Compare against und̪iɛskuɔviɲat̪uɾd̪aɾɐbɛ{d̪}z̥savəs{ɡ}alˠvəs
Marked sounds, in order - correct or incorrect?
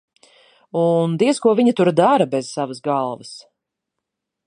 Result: incorrect: none, correct

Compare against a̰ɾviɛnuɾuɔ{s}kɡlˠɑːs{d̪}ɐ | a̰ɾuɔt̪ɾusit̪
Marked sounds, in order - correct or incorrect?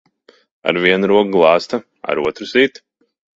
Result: incorrect: none, incorrect: t̪

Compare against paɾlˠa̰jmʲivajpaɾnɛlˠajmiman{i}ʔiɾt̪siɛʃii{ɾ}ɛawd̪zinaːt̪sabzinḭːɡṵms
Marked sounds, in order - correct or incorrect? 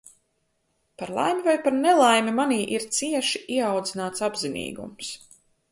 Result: incorrect: iː, incorrect: none

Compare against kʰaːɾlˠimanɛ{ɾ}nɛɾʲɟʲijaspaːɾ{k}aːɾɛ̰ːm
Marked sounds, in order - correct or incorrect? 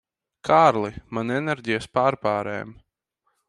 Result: incorrect: none, incorrect: p

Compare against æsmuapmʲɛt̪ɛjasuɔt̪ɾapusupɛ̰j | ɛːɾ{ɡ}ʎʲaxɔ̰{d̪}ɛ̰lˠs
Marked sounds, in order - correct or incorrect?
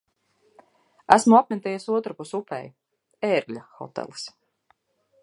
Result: correct, incorrect: t̪

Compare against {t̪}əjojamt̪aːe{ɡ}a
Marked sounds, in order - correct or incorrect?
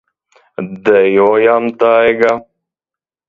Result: incorrect: d̪, correct

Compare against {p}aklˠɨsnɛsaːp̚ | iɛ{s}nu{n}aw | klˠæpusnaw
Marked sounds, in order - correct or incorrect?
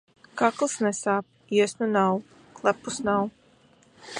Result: incorrect: k, correct, correct

